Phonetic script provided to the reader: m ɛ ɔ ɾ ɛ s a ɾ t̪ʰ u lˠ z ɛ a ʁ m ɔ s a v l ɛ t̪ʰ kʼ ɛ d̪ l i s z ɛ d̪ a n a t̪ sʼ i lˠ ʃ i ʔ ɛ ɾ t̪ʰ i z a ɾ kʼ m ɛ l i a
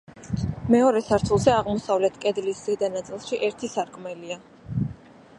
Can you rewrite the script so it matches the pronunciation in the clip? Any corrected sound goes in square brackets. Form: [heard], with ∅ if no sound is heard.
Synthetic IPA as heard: m ɛ ɔ ɾ ɛ s a ɾ t̪ʰ u lˠ z ɛ a ʁ m ɔ s a v l ɛ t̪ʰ kʼ ɛ d̪ l i s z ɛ d̪ a n a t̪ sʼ i lˠ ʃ i ʔ ɛ ɾ t̪ʰ i [s] a ɾ kʼ m ɛ l i a